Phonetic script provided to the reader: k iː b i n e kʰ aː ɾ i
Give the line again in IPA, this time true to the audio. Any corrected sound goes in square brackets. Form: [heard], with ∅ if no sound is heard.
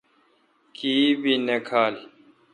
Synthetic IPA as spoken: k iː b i n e kʰ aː [l] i